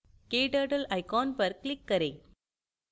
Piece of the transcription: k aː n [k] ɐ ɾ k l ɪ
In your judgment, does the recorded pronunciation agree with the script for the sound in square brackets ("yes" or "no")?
no